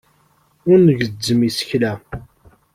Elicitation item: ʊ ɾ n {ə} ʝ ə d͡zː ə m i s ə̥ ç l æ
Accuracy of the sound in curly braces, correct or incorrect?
correct